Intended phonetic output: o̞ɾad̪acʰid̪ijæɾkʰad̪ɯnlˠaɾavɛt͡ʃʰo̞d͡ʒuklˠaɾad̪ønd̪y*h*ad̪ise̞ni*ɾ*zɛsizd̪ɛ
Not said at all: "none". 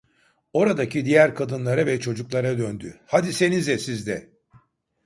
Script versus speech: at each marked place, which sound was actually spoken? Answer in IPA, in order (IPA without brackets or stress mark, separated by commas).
h, none